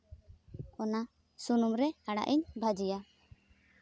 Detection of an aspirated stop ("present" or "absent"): absent